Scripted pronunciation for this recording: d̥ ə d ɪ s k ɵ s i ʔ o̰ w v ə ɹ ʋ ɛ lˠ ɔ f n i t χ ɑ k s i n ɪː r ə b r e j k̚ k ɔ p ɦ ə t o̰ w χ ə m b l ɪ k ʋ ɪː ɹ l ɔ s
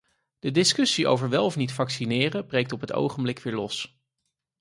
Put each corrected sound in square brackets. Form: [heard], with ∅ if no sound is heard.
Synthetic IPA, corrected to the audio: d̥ ə d ɪ s k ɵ s i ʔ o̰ w v ə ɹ ʋ ɛ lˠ ɔ f n i t [f] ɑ k s i n ɪː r ə b r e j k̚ [t] ɔ p ɦ ə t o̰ w χ ə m b l ɪ k ʋ ɪː ɹ l ɔ s